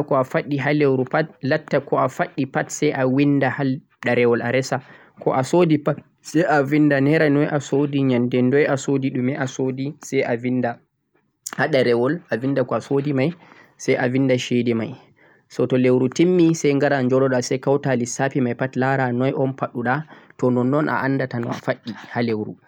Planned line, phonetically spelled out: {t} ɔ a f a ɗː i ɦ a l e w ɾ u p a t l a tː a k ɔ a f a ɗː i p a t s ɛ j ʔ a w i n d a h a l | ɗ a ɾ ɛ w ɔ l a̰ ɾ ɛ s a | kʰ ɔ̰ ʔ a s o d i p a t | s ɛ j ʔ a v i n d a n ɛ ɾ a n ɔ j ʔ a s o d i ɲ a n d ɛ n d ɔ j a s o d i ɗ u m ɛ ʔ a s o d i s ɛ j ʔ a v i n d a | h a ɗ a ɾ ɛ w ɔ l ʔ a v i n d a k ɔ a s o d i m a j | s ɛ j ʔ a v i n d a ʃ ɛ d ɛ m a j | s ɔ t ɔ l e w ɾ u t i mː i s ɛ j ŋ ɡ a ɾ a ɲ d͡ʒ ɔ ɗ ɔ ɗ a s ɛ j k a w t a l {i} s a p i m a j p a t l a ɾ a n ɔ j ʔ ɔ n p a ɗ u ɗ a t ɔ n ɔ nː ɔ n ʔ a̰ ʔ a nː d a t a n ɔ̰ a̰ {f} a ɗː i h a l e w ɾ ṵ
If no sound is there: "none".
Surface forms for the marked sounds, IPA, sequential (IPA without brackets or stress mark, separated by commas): k, i, f